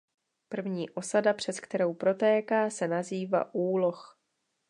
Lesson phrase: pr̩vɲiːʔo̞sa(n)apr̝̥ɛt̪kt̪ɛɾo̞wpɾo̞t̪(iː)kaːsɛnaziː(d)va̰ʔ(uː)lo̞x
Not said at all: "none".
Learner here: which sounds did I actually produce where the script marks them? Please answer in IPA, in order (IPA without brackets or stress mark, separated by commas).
d, ɛː, none, uː